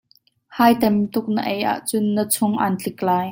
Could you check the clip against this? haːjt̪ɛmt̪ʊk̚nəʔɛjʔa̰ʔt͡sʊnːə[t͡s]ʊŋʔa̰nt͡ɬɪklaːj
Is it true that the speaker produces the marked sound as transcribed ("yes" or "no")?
no